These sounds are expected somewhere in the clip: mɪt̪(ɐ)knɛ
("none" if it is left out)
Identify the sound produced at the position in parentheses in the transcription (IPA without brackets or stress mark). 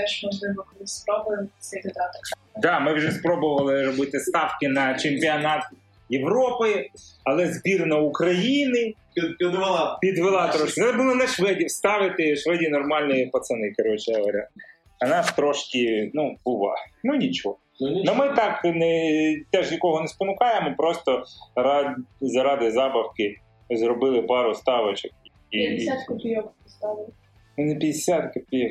ɑ